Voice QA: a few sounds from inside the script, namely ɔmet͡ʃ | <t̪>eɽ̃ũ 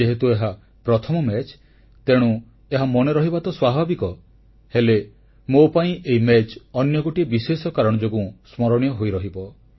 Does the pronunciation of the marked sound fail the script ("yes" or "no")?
no